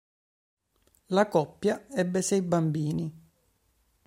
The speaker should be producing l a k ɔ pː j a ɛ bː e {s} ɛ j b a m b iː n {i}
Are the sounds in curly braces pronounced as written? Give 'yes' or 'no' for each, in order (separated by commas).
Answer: yes, yes